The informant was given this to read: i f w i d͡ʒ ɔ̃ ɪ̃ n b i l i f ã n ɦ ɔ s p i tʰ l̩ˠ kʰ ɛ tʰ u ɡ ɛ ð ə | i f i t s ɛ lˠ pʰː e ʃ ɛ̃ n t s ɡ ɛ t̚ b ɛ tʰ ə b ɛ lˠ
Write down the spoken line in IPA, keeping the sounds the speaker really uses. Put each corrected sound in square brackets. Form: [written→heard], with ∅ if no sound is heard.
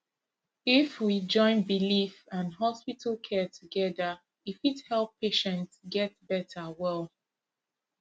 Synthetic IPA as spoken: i f w i d͡ʒ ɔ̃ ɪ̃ n b i l i f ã n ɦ ɔ s p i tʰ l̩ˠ kʰ ɛ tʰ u ɡ ɛ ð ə | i f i t [s→h] ɛ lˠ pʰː e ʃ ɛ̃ n t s ɡ ɛ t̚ b ɛ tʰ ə [b→w] ɛ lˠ